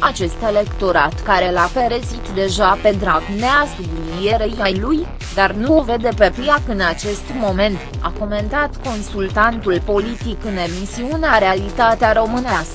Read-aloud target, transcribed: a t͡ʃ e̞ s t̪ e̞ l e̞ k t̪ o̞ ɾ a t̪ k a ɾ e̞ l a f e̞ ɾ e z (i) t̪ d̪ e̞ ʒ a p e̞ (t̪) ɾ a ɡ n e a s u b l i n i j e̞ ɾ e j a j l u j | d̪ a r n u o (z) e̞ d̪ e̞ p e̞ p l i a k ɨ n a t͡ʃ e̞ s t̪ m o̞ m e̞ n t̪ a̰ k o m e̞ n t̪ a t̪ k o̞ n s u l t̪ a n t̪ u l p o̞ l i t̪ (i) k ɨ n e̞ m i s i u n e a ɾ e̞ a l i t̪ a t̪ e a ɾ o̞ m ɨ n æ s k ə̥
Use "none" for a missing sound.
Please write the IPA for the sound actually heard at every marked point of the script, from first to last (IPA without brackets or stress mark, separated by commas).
i, d̪, v, i